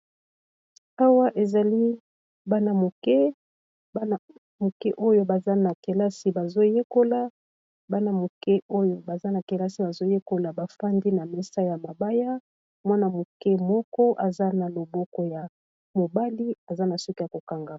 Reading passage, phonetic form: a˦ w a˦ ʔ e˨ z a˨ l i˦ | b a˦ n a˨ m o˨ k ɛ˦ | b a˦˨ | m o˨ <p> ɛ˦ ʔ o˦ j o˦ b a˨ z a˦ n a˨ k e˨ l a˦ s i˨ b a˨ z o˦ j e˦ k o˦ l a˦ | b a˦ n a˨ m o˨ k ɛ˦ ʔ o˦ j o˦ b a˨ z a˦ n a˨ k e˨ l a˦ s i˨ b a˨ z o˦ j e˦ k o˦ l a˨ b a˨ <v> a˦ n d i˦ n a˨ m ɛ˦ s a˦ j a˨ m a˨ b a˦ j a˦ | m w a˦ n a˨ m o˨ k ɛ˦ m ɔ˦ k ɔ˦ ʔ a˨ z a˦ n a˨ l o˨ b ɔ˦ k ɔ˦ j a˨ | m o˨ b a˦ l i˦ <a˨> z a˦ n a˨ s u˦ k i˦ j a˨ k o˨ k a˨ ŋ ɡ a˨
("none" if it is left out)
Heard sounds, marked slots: k, f, a˨

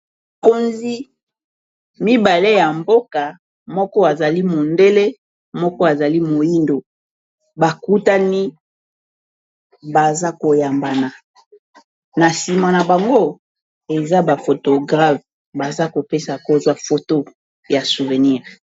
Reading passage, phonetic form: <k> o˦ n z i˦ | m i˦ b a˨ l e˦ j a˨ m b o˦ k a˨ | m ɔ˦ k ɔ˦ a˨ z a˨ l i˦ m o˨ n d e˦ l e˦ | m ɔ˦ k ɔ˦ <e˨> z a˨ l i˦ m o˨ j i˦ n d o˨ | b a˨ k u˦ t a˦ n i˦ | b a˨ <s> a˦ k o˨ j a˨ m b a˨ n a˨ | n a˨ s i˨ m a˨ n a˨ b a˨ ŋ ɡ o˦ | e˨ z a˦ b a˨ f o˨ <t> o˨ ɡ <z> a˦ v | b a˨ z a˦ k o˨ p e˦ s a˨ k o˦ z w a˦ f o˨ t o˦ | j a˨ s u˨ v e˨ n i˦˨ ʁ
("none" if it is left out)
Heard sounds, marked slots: k, a˨, z, t, ʁ

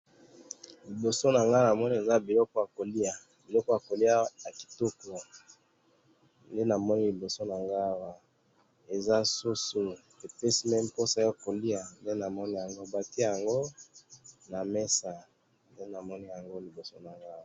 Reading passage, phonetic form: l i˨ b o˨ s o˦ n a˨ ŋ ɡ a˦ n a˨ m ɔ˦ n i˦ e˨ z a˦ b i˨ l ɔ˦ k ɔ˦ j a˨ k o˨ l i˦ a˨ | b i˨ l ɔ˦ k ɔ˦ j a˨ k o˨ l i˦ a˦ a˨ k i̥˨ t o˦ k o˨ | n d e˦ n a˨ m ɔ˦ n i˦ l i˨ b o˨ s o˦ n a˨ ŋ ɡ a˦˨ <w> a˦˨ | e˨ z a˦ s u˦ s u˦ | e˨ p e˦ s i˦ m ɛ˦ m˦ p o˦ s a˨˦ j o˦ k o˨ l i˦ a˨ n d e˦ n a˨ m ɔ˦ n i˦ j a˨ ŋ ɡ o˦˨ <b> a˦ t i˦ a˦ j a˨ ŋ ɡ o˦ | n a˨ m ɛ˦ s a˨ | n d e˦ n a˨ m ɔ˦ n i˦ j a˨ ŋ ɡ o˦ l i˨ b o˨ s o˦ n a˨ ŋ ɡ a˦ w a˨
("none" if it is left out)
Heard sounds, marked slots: w, b

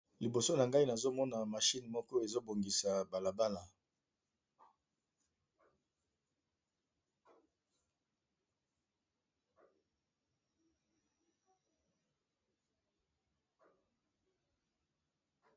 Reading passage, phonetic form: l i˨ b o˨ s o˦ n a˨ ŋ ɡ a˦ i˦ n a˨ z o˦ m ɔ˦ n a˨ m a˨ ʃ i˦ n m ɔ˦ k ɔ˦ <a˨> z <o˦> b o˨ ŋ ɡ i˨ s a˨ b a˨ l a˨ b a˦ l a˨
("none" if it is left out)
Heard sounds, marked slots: e˨, o˦

